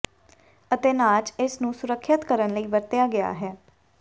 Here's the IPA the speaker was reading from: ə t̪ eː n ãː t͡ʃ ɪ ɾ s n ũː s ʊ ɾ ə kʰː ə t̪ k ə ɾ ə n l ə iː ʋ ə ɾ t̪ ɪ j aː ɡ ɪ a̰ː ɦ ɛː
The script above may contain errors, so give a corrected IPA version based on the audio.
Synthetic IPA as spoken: ə t̪ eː n aː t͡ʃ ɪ s n ũː s ʊ ɾ ə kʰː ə t̪ k ə ɾ ə n l ə iː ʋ ə ɾ t̪ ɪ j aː ɡ ɪ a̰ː ɦ ɛː